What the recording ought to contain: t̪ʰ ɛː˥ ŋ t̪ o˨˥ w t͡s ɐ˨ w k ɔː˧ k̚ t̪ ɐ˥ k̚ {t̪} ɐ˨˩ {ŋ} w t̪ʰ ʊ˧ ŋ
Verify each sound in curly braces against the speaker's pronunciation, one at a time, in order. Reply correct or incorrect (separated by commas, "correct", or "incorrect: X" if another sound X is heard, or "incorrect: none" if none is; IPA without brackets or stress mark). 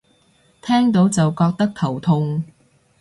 incorrect: t̪ʰ, incorrect: none